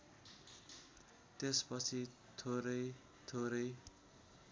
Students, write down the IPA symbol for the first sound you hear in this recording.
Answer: t̪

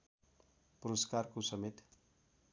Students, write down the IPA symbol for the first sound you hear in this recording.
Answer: p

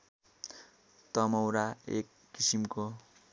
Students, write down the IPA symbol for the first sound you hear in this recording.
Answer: t̪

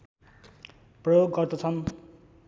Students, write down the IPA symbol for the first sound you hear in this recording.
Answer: p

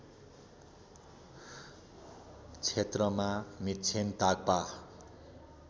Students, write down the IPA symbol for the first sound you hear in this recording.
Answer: t͡sʰ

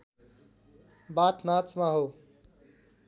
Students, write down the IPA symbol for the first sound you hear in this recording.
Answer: b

